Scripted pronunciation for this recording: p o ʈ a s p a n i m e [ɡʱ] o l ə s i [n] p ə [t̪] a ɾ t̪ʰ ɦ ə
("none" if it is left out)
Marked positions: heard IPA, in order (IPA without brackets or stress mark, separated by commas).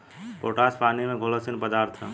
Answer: ɡʱ, n, d̪